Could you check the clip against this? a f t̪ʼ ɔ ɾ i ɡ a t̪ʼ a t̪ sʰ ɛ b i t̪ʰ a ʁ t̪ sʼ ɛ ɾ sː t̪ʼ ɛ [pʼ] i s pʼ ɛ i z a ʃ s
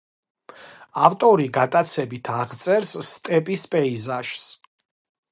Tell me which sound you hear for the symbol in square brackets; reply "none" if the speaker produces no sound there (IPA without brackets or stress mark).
pʼ